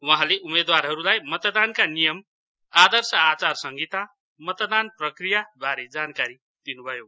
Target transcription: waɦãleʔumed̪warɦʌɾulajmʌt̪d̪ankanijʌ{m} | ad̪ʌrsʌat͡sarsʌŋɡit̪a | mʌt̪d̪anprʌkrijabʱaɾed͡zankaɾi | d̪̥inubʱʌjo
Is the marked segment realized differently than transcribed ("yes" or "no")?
no